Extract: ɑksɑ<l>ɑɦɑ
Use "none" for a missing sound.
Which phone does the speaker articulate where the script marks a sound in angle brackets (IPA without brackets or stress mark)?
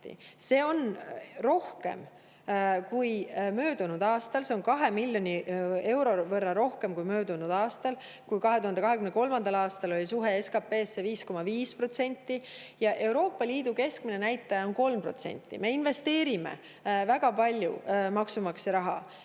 ɾ